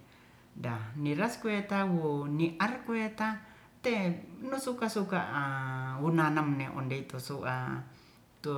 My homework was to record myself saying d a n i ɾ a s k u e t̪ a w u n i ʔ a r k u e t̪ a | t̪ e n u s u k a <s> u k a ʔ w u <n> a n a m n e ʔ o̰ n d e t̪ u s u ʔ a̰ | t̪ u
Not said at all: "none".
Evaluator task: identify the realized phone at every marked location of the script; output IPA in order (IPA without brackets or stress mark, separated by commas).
s, n